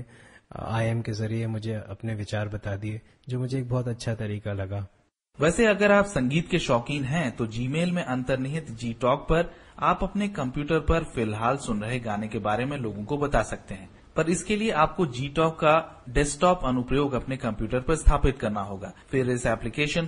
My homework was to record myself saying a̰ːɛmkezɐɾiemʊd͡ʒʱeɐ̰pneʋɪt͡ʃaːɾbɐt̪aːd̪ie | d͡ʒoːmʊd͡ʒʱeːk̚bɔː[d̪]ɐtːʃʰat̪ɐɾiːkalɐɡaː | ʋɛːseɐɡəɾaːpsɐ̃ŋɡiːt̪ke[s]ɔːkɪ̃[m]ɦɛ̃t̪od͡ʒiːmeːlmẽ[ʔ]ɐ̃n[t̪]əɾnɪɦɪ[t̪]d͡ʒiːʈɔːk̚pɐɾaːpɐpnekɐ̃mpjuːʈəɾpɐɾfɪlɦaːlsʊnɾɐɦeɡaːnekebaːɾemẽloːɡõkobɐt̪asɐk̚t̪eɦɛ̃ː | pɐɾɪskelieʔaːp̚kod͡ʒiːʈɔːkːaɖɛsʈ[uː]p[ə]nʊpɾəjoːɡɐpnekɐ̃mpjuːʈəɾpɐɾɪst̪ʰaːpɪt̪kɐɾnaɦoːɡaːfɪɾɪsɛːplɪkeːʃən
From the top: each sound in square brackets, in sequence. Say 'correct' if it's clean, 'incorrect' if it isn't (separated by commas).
incorrect, incorrect, incorrect, correct, correct, correct, incorrect, incorrect